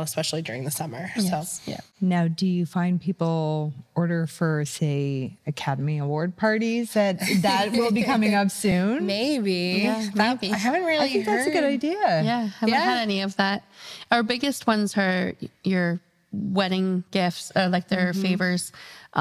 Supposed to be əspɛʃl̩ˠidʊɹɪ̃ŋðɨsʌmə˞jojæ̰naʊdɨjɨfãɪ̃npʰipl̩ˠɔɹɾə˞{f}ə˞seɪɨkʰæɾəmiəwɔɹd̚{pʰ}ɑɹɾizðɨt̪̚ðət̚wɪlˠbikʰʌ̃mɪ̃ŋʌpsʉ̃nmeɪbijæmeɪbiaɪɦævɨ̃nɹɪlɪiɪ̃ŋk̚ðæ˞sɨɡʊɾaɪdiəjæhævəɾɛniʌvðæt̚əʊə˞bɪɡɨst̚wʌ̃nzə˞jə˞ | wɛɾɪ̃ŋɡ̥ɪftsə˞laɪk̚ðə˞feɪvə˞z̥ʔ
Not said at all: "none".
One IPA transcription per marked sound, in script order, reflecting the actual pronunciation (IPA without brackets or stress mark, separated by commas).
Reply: f, pʰ